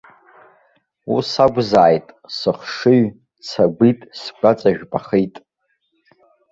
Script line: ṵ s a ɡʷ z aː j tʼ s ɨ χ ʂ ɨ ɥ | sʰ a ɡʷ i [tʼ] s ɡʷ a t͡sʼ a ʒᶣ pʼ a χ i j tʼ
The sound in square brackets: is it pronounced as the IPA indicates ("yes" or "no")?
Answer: yes